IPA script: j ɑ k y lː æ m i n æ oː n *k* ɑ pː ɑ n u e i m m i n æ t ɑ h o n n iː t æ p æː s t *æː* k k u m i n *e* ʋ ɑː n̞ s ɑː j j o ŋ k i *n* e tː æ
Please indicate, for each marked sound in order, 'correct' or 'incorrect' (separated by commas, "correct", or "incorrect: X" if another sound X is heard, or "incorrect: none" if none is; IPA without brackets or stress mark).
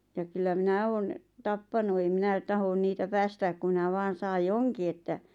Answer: incorrect: t, correct, incorrect: æ, incorrect: none